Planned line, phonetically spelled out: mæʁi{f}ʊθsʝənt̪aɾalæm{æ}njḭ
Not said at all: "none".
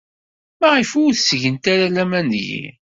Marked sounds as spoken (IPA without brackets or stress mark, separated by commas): f, æ